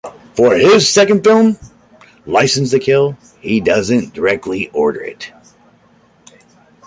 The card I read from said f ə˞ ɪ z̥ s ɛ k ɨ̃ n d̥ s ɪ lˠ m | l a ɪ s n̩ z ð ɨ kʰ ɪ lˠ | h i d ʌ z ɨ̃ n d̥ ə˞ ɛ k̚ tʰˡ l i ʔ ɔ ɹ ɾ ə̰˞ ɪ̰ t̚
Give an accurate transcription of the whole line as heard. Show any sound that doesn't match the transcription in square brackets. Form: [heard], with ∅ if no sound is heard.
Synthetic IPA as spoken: f ə˞ ɪ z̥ s ɛ k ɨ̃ n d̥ [f] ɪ lˠ m | l a ɪ s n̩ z ð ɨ kʰ ɪ lˠ | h i d ʌ z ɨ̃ n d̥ ə˞ ɛ k̚ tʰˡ l i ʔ ɔ ɹ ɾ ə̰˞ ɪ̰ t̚